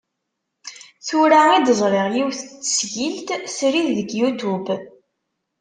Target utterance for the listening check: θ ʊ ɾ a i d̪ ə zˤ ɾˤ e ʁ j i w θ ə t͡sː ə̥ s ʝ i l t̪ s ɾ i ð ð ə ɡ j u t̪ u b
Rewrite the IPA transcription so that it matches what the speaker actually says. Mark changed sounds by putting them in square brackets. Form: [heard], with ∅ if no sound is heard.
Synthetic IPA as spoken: θ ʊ ɾ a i d̪ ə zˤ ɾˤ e ʁ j i w θ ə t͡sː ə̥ s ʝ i l t̪ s ɾ i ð ð ə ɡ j u t̪ u b